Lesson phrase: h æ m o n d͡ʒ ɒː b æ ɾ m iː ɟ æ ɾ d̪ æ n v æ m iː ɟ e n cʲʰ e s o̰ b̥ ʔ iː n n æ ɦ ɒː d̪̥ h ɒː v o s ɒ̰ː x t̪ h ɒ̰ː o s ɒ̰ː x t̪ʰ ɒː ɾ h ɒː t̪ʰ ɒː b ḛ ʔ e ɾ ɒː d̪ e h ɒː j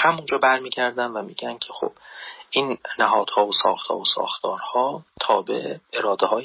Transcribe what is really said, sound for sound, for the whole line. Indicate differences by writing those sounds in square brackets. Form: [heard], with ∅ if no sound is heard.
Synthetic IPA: h æ m [u] n d͡ʒ ɒː b æ ɾ m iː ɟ æ ɾ d̪ æ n v æ m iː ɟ [æ] n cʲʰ e [x] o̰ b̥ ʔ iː n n æ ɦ ɒː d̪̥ h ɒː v o s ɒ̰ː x t̪ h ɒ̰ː o s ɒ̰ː x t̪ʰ ɒː ɾ h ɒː t̪ʰ ɒː b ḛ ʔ e ɾ ɒː d̪ e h ɒː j